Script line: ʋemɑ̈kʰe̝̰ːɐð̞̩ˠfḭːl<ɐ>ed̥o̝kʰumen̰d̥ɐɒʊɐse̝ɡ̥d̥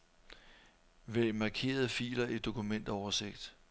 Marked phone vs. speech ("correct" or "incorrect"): correct